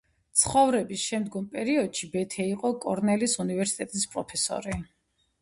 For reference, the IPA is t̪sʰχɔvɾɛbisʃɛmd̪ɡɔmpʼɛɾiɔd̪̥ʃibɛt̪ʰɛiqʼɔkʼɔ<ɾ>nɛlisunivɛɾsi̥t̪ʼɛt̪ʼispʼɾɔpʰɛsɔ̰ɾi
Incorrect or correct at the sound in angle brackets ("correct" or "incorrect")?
correct